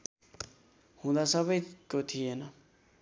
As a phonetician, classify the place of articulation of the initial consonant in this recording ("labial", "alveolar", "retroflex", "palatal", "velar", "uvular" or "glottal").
glottal